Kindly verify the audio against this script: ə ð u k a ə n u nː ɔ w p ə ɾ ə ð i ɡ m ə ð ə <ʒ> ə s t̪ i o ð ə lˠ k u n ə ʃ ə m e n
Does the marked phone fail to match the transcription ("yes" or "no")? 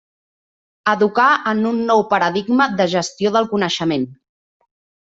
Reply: no